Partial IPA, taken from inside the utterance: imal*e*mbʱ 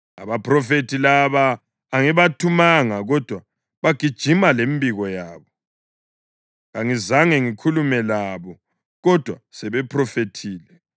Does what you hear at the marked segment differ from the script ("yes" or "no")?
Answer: no